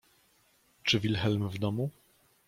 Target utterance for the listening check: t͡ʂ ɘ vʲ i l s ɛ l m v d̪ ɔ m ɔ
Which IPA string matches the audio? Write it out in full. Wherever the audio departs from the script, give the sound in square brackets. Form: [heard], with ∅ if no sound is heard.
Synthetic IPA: t͡ʂ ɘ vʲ i l [x] ɛ l m v d̪ ɔ m [u]